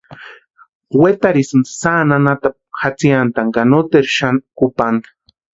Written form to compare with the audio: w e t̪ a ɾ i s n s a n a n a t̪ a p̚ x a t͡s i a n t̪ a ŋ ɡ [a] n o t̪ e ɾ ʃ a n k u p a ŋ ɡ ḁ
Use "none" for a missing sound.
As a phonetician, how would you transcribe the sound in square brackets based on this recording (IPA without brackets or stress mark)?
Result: a